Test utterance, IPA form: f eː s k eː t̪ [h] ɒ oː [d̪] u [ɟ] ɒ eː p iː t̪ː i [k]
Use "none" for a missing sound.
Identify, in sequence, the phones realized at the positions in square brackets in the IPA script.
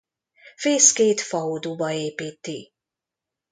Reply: f, d̪, b, none

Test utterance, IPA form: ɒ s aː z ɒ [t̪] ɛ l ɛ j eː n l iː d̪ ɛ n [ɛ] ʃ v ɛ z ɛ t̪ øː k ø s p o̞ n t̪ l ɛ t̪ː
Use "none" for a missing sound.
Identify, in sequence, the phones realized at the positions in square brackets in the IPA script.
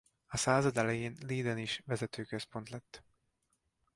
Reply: d̪, i

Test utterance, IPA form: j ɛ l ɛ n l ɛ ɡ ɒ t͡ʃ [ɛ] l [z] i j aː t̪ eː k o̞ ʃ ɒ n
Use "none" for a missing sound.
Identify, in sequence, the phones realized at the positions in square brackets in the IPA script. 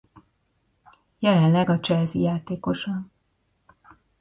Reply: ɛ, z

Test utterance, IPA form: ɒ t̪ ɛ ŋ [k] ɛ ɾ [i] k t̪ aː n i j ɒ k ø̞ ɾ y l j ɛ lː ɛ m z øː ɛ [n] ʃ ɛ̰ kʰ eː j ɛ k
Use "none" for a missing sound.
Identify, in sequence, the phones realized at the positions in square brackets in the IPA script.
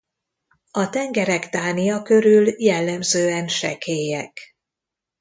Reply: ɡ, ɛ, n

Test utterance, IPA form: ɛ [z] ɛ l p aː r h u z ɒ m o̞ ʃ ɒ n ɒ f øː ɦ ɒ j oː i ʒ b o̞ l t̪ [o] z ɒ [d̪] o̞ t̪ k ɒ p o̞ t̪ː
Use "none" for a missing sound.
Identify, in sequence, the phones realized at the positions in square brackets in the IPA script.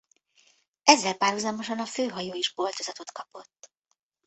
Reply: zː, o, t̪

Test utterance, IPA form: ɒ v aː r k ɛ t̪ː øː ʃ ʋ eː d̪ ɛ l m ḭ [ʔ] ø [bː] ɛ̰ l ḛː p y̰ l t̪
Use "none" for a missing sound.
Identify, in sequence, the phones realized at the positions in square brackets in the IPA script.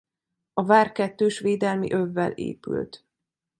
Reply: ʔ, vː

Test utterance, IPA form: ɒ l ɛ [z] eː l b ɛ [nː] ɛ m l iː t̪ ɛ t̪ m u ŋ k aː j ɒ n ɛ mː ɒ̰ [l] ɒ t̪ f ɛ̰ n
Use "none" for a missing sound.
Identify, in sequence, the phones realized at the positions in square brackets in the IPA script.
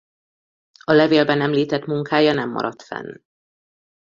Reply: v, n, ɾ

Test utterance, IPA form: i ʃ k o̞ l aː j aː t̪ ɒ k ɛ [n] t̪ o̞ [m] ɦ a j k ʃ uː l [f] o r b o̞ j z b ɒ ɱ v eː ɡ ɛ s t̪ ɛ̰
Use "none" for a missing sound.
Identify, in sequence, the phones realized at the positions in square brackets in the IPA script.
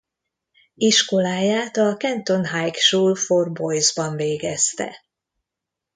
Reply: n, n, f

